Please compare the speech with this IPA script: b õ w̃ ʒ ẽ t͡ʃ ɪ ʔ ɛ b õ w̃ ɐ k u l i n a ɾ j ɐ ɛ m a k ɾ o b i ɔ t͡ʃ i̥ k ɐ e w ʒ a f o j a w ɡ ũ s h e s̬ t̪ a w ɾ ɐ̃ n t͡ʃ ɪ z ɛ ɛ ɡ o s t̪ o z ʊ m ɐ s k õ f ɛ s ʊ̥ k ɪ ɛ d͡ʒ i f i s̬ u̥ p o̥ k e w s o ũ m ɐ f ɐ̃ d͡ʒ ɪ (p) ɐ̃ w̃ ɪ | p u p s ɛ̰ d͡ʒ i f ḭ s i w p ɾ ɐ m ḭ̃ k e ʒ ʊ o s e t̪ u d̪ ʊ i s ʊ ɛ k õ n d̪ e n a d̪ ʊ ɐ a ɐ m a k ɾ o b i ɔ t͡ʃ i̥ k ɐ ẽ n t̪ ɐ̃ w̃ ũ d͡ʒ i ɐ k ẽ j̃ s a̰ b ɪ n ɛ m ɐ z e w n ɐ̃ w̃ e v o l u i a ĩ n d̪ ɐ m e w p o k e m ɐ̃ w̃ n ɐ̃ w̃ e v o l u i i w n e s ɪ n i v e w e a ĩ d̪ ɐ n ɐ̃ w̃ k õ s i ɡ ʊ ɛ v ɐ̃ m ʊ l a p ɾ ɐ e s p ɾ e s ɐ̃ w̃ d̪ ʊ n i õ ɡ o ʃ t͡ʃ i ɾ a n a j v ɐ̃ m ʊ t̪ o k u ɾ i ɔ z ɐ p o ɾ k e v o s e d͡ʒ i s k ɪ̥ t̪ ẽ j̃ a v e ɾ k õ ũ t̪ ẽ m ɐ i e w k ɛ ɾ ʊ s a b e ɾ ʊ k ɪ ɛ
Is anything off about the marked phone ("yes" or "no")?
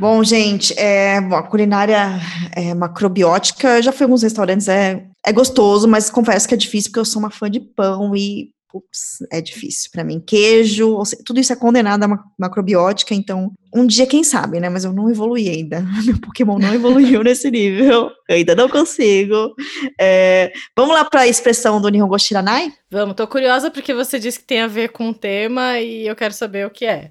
no